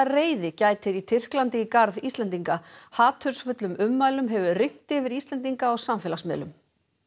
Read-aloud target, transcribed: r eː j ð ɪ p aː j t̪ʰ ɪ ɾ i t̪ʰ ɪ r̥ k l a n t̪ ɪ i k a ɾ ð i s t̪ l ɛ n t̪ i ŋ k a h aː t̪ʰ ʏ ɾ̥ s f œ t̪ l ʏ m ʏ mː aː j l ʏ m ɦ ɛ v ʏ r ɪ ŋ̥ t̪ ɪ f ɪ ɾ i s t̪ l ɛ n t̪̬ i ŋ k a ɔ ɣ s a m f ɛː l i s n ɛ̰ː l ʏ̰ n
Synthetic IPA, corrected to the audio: r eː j ð ɪ c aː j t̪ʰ ɪ ɾ i t̪ʰ ɪ r̥ k l a n t̪ ɪ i k a ɾ ð i s t̪ l ɛ n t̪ i ŋ k a h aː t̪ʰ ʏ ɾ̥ s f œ t̪ l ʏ m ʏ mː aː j l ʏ m ɦ ɛ v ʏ r ɪ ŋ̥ t̪ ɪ v ɪ ɾ i s t̪ l ɛ n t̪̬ i ŋ k a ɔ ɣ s a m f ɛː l a s m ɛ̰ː l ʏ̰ m